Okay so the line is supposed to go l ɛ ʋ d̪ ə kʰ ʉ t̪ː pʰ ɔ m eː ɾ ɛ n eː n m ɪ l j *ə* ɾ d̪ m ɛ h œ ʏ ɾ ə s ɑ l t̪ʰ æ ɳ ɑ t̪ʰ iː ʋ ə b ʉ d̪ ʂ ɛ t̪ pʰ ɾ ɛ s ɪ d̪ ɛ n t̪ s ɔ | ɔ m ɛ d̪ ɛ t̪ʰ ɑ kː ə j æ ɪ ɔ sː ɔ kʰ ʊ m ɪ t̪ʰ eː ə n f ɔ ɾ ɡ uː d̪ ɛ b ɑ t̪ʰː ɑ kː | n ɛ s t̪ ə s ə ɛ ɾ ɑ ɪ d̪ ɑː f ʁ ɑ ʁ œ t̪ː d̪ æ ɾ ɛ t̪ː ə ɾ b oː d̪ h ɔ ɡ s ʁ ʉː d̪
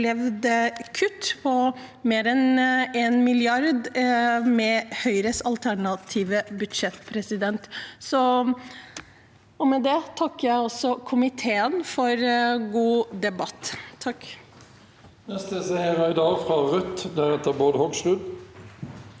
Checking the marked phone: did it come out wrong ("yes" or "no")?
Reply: yes